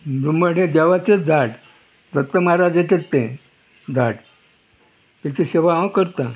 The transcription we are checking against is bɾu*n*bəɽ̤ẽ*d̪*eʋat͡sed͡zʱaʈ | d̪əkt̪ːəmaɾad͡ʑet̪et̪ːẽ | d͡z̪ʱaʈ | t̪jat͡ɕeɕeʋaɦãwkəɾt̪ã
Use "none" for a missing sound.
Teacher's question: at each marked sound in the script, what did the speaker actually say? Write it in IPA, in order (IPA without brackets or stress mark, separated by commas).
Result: m, d̪